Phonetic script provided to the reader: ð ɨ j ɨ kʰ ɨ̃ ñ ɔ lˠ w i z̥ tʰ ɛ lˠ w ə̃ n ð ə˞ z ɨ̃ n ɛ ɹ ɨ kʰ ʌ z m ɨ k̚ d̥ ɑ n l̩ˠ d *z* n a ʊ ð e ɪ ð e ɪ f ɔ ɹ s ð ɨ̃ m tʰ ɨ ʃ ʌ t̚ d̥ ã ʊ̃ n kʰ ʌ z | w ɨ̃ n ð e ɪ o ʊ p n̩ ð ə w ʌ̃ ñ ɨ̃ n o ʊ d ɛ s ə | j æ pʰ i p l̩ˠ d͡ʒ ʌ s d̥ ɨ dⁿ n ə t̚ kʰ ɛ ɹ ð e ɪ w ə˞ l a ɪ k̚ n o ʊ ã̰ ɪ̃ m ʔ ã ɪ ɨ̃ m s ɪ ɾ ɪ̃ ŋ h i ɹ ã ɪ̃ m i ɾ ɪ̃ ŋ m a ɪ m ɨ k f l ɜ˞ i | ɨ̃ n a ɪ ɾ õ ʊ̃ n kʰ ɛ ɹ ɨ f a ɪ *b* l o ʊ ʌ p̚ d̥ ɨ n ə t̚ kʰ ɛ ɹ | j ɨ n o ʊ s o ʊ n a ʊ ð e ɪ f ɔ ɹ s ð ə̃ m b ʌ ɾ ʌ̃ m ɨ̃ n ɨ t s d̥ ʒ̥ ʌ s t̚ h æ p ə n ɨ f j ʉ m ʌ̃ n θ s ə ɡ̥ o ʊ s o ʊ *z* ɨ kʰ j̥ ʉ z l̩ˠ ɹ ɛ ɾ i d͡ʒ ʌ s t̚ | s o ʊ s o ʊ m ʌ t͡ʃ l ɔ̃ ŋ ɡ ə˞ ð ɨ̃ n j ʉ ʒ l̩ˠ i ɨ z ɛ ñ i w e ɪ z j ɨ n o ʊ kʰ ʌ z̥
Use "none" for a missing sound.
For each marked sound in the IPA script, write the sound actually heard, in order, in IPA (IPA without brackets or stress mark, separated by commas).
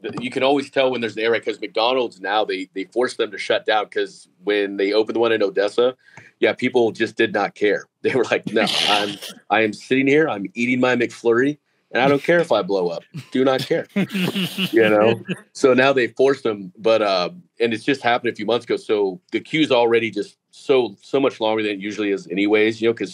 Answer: z, b, ð